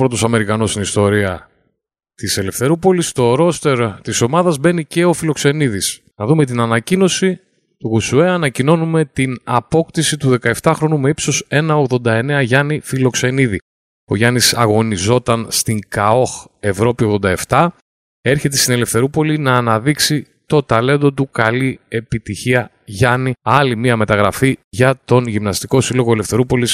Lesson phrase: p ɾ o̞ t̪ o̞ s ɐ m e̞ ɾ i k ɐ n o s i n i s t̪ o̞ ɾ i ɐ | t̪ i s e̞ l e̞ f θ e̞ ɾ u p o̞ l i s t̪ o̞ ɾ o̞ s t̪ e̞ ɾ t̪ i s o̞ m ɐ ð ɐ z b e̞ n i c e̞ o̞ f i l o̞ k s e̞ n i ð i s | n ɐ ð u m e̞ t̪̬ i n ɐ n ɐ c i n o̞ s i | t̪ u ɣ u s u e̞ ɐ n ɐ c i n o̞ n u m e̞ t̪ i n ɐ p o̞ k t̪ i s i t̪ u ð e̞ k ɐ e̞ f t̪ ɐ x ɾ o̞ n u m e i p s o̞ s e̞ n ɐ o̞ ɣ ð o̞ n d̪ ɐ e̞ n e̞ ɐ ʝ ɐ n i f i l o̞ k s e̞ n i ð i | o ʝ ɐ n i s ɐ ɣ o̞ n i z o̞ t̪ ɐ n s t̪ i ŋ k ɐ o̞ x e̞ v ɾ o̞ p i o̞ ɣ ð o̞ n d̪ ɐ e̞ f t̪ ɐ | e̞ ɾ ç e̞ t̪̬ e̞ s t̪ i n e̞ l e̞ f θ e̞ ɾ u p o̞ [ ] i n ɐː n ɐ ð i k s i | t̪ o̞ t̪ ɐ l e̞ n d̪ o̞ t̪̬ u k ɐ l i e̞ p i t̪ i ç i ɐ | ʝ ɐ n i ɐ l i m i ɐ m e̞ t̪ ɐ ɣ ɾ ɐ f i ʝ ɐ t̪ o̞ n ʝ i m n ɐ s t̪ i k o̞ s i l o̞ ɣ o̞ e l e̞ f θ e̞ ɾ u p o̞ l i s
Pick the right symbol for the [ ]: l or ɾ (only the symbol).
l